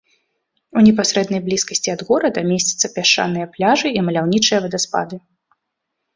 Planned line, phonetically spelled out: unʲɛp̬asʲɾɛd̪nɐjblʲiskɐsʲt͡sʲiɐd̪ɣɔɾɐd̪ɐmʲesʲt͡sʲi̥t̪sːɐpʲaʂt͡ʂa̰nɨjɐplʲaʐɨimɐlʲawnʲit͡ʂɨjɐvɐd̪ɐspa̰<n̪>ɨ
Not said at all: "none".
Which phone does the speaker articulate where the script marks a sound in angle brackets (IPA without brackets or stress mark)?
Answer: d̪